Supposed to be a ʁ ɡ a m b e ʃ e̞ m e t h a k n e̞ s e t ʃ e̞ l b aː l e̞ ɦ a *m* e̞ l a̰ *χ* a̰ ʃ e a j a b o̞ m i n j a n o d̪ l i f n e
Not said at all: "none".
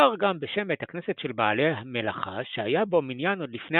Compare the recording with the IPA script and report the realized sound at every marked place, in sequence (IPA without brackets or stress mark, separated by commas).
m, χ